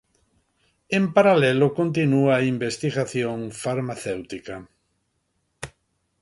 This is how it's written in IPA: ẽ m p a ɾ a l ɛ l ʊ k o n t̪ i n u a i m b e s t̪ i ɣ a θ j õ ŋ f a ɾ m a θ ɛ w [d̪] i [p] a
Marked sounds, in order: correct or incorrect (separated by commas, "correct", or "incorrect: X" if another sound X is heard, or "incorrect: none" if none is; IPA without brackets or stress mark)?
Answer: incorrect: t̪, incorrect: k